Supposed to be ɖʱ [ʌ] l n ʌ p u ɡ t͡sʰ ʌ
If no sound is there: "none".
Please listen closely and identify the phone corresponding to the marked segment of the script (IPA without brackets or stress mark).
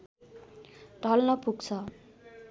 ʌ